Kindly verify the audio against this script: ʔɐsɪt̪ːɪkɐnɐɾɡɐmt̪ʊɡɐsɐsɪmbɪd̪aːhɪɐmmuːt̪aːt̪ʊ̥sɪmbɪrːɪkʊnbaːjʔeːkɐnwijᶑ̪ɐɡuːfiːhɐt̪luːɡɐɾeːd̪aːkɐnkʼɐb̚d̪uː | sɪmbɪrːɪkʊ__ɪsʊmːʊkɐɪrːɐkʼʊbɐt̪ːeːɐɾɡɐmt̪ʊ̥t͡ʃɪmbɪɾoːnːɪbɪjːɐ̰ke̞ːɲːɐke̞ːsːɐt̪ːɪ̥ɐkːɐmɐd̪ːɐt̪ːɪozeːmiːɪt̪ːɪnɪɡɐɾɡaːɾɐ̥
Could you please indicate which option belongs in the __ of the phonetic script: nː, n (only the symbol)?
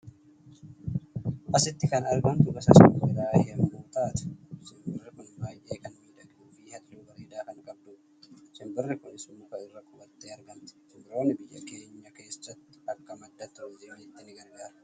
n